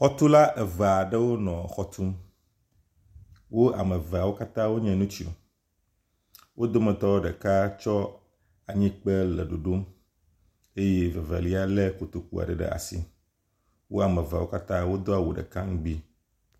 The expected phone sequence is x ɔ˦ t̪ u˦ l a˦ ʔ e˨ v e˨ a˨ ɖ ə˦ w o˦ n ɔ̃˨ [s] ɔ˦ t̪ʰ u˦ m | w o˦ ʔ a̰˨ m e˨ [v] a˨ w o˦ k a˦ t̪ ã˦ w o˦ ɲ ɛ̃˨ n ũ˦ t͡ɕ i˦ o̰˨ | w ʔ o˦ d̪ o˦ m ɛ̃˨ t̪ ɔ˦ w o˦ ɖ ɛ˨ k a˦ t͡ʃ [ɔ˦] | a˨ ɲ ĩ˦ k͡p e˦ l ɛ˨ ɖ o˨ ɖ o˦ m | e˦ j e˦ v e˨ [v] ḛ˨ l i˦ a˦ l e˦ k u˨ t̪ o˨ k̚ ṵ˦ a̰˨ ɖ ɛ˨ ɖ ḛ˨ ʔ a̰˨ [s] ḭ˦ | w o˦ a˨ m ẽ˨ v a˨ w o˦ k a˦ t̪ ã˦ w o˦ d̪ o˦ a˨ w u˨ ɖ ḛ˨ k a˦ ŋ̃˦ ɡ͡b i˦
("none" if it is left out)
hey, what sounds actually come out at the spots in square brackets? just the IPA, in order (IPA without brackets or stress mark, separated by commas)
x, v, ɔ˦, v, s